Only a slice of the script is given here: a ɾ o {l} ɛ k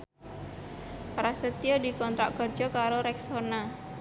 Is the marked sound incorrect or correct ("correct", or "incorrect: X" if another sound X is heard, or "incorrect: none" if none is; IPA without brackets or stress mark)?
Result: incorrect: ɾ